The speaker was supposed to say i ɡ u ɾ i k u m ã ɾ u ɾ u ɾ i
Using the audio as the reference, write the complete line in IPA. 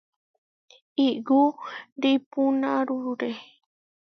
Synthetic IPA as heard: i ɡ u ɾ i p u n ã ɾ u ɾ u ɾ e